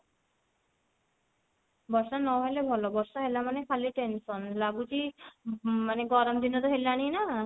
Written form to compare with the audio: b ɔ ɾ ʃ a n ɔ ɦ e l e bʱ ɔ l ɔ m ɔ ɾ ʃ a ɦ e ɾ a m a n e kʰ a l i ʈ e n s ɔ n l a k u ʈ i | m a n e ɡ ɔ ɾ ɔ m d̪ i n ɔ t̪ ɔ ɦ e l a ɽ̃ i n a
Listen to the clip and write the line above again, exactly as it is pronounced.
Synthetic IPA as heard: b ɔ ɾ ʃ a n ɔ ɦ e l e bʱ ɔ l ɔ b ɔ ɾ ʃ a ɦ e l a m a n e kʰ a l i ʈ e n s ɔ n l a ɡ u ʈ i | m a n e ɡ ɔ ɾ ɔ m d̪ i n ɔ t̪ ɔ ɦ e l a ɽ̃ i n a